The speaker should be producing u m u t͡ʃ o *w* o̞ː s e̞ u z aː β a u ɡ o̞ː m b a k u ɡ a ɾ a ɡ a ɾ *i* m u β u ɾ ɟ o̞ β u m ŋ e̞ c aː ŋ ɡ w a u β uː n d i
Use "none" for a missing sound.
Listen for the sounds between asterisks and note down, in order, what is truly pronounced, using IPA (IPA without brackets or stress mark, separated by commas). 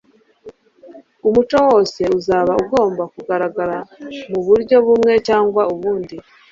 w, a